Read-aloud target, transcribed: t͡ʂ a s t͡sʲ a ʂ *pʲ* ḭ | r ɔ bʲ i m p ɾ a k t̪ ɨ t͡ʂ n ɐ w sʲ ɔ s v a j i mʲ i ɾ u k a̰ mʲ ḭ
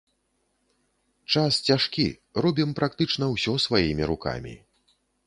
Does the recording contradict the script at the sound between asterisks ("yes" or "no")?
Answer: yes